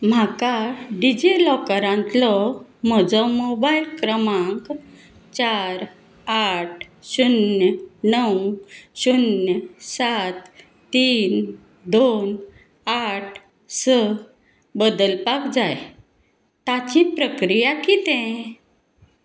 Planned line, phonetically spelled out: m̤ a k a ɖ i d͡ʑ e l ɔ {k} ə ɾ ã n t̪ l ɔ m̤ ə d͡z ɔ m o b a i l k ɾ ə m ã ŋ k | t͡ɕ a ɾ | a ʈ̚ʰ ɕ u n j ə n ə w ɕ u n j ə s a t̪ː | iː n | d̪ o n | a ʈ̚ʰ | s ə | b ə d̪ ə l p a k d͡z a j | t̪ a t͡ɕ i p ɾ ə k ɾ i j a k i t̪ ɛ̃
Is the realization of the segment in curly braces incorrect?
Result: no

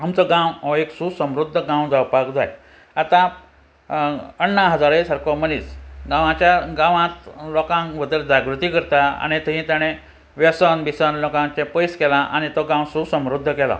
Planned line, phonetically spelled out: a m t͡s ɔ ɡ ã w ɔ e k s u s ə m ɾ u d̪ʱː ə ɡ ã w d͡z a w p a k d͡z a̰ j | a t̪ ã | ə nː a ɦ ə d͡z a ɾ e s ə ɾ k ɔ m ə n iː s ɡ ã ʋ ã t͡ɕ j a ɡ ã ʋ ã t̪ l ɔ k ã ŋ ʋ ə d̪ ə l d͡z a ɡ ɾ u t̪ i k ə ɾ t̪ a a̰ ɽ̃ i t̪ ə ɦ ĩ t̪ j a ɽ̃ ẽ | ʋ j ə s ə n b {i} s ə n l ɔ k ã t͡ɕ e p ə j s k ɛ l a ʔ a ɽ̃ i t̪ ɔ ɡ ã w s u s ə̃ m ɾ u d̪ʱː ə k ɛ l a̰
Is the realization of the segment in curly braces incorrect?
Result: no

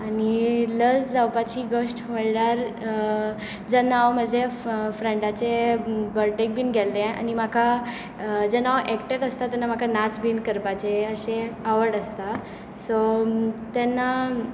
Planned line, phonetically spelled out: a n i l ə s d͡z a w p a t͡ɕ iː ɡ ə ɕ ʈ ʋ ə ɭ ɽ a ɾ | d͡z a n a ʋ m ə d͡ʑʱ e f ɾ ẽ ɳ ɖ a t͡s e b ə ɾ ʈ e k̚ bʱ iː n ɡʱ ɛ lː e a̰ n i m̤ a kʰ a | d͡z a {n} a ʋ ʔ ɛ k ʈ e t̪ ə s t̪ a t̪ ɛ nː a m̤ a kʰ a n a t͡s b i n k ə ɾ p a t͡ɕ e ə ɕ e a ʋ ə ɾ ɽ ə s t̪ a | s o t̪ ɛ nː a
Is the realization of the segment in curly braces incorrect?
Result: no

